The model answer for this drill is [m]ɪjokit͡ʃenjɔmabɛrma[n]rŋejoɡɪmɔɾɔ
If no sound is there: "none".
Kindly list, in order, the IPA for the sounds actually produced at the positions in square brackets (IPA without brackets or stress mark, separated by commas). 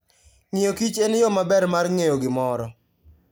ŋ, none